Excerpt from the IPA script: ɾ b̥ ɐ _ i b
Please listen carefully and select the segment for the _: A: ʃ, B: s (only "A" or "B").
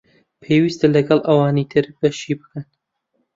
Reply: A